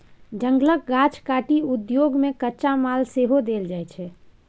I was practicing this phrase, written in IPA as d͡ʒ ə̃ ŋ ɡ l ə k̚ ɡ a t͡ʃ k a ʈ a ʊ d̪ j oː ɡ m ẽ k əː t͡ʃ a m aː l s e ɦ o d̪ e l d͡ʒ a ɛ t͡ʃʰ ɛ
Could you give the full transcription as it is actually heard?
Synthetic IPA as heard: d͡ʒ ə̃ ŋ ɡ l ə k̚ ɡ a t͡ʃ k a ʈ i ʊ d̪ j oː ɡ m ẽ k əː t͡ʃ a m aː l s e ɦ o d̪ e l d͡ʒ a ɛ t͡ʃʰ ɛ

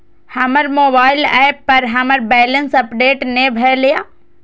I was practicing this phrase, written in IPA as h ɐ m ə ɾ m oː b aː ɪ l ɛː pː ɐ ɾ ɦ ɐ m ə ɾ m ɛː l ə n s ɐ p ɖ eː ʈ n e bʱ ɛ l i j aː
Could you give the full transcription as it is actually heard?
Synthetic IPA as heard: h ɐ m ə ɾ m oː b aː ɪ l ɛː pː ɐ ɾ ɦ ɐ m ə ɾ b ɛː l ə n s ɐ p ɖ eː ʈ n e bʱ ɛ l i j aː

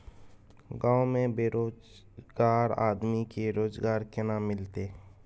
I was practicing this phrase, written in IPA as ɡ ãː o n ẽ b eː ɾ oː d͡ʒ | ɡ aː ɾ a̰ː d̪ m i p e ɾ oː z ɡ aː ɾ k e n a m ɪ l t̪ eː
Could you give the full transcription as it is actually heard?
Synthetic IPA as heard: ɡ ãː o m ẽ b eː ɾ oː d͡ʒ | ɡ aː ɾ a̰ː d̪ m i k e ɾ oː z ɡ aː ɾ k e n a m ɪ l t̪ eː

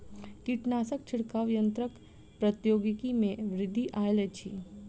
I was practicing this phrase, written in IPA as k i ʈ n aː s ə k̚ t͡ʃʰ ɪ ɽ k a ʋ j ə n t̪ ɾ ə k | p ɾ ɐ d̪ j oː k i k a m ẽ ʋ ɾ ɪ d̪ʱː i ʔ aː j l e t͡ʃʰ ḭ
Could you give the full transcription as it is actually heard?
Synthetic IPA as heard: k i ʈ n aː s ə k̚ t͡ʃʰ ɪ ɽ k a ʋ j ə n t̪ ɾ ə k | p ɾ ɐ t̪ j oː ɡ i k i m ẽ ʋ ɾ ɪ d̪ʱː i ʔ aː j l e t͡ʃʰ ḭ

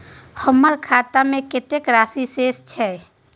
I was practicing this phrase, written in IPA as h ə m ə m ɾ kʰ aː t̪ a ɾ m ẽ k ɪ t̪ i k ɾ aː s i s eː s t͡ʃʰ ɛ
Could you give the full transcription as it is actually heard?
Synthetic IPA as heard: h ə m ə ɾ kʰ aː t̪ a m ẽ k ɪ t̪ e k ɾ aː s i s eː s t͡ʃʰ ɛ

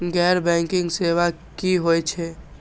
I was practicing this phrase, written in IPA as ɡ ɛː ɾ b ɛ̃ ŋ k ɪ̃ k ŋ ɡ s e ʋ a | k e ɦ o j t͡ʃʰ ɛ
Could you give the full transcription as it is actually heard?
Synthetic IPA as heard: ɡ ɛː ɾ b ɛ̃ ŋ k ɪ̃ ŋ ɡ s e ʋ a | k i ɦ o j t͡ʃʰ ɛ

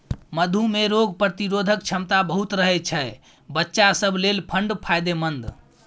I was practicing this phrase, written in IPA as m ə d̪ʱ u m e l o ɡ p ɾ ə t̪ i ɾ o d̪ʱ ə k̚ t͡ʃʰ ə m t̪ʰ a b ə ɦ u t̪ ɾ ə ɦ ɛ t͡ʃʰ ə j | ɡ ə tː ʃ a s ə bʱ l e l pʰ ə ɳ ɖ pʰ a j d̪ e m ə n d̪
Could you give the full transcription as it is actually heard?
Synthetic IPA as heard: m ə d̪ʱ u m e ɾ o ɡ p ɾ ə t̪ i ɾ o d̪ʱ ə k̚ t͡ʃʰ ə m t̪ a b ə ɦ u t̪ ɾ ə ɦ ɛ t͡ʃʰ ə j | b ə tː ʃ a s ə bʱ l e l pʰ ə ɳ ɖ pʰ a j d̪ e m ə n d̪

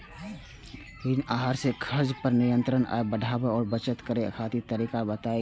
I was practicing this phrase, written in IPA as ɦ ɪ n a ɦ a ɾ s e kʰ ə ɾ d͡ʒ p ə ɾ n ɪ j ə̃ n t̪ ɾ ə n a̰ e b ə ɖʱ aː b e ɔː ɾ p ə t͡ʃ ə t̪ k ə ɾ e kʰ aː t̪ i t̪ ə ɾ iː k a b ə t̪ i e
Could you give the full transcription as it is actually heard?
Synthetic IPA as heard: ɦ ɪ n a ɦ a ɾ s e kʰ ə ɾ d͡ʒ p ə ɾ n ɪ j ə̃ n t̪ ɾ ə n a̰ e b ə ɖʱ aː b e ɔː ɾ b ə t͡ʃ ə t̪ k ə ɾ e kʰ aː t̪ i t̪ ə ɾ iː k a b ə t̪ a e

